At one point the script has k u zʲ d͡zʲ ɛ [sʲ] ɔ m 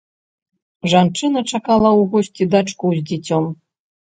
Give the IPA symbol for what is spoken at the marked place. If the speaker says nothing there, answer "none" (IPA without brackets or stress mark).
t͡sʲ